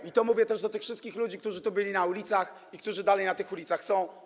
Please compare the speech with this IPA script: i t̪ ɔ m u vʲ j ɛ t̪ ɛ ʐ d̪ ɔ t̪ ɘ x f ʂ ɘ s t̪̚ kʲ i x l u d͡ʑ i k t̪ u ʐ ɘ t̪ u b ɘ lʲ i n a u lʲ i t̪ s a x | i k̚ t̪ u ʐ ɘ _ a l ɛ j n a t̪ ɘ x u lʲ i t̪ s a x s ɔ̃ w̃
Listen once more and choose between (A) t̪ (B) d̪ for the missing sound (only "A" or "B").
B